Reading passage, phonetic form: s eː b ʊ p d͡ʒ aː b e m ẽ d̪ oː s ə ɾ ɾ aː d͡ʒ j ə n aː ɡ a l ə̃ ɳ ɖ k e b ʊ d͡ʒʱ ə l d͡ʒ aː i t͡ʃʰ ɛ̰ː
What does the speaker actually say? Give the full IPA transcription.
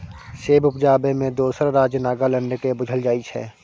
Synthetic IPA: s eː b ʊ p d͡ʒ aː b e m ẽ d̪ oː s ə ɾ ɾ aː d͡ʒ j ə n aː ɡ a l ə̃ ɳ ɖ k e b ʊ d͡ʒʱ ə l d͡ʒ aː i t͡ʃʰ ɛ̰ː